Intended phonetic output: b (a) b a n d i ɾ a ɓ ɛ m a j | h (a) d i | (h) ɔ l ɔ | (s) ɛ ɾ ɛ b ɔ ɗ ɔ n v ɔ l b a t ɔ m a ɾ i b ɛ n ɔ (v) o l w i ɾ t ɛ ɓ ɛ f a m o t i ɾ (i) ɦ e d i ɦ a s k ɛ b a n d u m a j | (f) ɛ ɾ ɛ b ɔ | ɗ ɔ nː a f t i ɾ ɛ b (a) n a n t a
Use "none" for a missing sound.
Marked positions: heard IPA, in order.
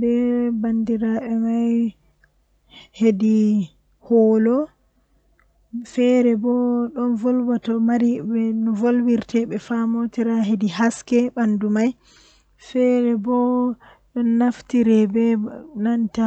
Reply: ɛ, e, h, f, v, a, f, ɛ

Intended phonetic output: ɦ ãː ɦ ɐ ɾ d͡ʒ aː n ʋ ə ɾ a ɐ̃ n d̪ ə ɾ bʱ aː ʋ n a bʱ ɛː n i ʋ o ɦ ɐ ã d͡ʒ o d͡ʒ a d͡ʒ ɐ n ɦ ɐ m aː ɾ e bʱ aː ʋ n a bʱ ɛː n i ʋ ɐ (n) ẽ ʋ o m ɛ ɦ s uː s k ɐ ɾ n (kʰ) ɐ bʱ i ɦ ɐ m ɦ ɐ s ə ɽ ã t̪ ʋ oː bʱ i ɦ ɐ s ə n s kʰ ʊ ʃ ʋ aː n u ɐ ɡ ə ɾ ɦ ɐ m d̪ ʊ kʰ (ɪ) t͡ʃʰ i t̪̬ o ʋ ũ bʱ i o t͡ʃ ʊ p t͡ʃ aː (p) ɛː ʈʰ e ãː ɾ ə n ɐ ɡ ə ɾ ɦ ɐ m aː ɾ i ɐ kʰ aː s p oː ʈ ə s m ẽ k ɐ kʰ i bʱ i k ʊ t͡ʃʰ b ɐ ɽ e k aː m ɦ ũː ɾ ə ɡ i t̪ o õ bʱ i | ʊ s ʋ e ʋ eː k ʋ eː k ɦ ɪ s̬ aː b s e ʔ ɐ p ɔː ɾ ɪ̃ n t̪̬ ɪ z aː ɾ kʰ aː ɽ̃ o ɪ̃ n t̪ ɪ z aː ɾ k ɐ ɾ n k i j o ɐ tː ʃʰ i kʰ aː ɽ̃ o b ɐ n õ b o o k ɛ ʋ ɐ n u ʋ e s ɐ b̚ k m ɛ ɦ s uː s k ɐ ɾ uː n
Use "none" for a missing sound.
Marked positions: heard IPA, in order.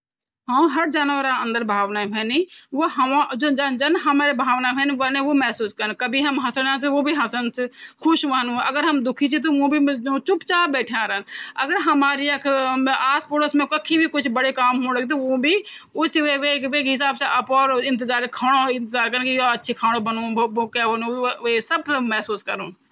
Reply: n, k, i, b

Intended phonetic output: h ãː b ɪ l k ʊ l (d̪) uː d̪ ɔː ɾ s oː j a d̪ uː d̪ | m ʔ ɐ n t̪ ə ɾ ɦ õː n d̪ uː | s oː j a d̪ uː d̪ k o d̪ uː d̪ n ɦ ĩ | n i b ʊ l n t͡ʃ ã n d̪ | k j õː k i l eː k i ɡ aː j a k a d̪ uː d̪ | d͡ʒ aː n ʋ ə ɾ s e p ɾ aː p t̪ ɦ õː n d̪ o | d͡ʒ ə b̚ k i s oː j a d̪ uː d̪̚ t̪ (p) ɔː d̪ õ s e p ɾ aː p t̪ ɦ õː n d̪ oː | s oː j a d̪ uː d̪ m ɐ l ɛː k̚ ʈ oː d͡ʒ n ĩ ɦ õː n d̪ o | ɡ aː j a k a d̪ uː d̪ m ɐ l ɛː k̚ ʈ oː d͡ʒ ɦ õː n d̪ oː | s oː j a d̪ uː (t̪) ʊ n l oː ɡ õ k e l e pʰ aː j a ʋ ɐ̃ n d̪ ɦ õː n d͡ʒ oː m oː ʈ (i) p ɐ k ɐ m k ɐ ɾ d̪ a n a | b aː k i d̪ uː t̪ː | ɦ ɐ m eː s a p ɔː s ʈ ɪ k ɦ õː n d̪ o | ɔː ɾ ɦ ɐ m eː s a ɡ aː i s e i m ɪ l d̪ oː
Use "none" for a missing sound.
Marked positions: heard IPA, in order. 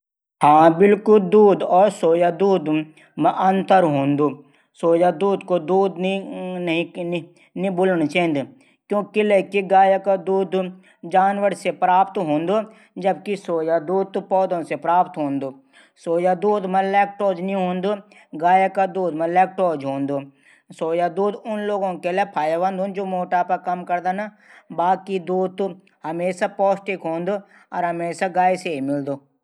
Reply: d̪, p, d̪, a

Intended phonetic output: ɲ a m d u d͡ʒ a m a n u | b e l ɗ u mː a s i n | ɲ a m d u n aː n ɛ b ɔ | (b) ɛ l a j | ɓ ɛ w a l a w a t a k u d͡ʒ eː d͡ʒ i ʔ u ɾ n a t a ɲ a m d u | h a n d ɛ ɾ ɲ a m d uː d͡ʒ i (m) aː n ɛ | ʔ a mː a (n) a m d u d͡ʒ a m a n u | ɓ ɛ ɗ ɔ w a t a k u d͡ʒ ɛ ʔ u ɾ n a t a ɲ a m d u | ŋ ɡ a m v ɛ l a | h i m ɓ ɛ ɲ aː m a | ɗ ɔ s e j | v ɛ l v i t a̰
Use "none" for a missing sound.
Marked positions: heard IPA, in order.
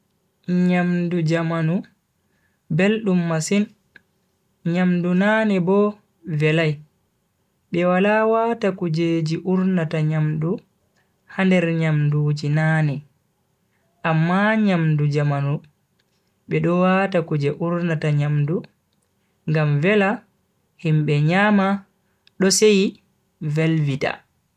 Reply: v, n, ɲ

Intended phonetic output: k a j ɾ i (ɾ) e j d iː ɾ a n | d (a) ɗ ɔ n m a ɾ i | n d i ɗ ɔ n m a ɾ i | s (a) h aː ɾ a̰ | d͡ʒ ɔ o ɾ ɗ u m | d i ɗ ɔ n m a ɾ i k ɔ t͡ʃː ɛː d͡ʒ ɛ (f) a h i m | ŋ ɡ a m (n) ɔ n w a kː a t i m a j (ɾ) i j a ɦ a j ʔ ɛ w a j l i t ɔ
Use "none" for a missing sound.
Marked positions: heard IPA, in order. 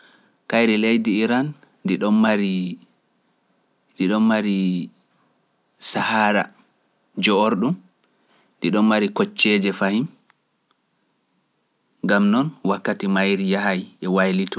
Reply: l, i, a, f, n, ɾ

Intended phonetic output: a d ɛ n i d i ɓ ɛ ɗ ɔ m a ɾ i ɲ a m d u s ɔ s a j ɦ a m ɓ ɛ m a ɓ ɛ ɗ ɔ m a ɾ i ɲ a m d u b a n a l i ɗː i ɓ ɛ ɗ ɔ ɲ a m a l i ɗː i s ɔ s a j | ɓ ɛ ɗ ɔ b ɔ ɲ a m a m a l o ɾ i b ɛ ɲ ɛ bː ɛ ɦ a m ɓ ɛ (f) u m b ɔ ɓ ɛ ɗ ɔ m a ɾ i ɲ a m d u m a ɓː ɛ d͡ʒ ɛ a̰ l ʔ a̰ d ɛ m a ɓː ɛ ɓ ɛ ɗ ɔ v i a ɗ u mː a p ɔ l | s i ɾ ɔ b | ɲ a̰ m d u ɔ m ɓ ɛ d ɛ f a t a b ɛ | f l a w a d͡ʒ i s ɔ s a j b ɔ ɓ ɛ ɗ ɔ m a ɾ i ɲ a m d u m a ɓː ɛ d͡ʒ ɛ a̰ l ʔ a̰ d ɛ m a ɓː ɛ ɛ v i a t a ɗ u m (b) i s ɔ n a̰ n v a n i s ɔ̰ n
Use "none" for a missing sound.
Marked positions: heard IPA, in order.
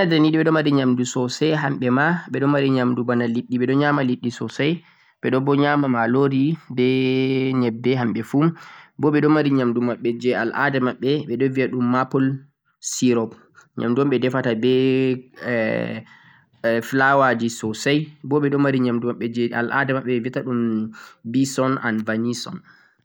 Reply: f, b

